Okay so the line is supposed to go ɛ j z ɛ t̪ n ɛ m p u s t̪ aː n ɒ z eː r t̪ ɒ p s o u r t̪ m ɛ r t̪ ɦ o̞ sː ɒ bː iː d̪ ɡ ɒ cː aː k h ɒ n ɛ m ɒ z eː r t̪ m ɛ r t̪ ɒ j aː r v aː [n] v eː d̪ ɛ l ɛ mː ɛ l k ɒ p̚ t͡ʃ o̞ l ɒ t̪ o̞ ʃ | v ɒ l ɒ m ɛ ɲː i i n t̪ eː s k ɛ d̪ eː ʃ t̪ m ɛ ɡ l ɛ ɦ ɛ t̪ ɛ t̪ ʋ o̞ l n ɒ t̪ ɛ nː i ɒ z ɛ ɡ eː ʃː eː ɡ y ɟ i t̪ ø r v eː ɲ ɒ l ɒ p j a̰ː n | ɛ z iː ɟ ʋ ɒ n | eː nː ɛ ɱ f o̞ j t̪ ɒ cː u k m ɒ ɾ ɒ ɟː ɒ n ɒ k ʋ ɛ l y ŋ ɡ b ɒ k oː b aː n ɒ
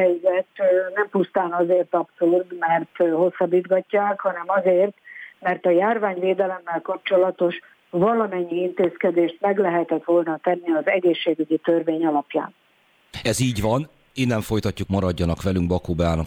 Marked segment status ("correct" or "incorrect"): incorrect